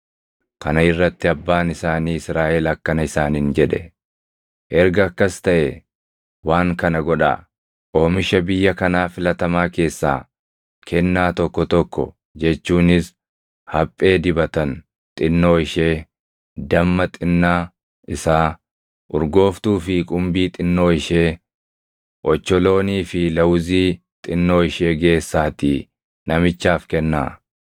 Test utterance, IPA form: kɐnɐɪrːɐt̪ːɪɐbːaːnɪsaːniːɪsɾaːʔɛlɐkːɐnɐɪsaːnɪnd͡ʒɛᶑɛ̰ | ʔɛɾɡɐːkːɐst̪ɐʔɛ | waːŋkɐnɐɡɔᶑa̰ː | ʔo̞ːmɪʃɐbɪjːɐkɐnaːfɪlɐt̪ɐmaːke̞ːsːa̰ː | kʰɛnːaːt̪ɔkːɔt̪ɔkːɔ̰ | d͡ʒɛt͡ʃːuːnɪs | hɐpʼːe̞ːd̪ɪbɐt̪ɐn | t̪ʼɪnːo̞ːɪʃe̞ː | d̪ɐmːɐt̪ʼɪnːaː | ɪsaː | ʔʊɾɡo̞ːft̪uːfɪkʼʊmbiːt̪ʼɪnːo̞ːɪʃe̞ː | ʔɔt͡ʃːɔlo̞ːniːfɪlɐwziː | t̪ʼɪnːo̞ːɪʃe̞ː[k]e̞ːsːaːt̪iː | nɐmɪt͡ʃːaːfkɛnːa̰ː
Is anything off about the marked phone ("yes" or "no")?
yes